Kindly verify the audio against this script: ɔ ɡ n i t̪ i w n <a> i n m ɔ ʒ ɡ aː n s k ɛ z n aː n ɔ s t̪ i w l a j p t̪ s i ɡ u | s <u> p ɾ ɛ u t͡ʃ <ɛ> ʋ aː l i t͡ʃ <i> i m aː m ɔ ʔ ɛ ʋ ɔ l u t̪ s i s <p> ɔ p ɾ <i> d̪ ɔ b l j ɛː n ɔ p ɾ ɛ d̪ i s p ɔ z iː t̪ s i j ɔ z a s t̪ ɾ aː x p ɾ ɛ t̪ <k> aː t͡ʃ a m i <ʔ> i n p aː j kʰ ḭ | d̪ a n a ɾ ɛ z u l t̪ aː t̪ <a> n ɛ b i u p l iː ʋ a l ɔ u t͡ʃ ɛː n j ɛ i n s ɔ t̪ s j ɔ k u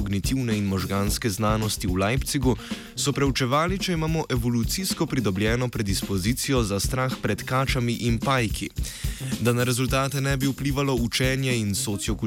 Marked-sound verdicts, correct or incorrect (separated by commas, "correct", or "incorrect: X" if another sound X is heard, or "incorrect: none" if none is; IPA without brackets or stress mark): incorrect: ɛ, incorrect: ɔ, correct, incorrect: ɛ, incorrect: k, correct, correct, correct, incorrect: ɛ